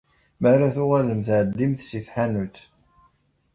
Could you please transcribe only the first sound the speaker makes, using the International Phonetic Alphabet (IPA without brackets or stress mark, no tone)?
m